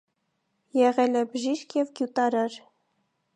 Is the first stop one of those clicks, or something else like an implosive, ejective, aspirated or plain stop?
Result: plain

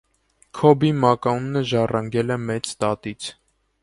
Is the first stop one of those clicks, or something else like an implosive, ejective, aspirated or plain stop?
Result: aspirated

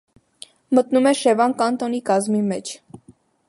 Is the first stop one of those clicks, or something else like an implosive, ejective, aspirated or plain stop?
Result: plain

